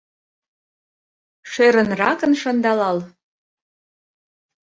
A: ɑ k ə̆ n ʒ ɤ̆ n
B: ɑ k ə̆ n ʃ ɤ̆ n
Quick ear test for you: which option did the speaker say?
B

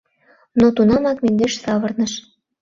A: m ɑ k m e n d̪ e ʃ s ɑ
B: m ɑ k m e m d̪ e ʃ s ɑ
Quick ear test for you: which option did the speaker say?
A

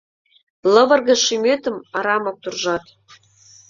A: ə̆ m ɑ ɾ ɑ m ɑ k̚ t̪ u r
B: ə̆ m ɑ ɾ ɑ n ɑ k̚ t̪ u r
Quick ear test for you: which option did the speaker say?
A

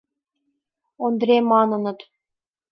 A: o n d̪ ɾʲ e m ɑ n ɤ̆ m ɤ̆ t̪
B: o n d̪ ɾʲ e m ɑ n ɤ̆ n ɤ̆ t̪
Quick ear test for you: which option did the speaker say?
B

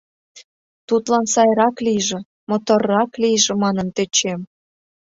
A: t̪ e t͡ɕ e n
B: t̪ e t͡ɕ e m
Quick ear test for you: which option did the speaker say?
B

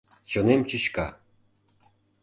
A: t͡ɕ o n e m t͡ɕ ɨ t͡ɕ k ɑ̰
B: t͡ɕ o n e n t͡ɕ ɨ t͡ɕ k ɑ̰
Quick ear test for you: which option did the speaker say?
A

